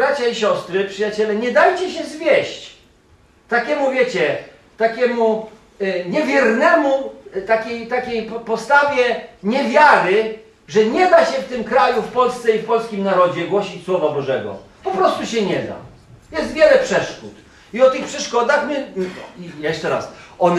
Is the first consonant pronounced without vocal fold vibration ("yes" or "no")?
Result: no